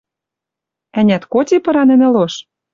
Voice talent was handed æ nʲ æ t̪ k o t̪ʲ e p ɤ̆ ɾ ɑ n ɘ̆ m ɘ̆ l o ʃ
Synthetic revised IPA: æ nʲ æ t̪ k o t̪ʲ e p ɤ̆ ɾ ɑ n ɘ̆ n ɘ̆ l o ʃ